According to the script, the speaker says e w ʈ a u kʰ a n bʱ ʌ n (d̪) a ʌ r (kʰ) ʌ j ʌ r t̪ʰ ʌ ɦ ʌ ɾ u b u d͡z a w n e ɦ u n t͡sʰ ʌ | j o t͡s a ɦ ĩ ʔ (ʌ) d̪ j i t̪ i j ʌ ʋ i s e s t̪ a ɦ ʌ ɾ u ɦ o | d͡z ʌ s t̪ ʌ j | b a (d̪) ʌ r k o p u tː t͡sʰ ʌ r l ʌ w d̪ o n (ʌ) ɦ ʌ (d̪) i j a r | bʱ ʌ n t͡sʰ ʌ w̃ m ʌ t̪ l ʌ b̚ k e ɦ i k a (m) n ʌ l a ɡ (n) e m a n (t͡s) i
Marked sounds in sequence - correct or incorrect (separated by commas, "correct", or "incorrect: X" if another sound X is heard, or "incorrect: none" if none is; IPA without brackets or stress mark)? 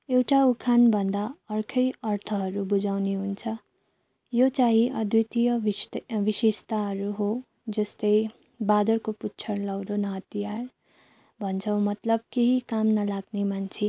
correct, correct, correct, correct, correct, incorrect: t̪, correct, correct, incorrect: t͡sʰ